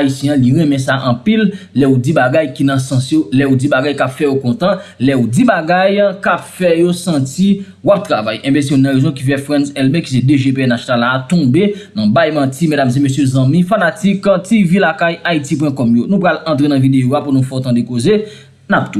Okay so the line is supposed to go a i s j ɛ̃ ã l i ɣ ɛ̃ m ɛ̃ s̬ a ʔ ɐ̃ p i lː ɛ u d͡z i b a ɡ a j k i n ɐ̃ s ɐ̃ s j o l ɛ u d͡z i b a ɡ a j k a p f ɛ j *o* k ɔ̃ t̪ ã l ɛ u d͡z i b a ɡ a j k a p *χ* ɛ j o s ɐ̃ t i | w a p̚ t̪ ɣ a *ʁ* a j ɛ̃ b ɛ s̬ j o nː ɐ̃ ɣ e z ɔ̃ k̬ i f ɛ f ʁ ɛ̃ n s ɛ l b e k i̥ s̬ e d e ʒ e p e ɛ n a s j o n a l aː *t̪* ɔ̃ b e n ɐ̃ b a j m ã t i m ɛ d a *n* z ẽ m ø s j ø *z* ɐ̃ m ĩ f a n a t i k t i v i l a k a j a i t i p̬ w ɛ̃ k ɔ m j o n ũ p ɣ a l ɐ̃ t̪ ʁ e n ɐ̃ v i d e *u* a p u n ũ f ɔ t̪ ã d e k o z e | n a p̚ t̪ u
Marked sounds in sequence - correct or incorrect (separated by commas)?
correct, incorrect, incorrect, correct, incorrect, correct, incorrect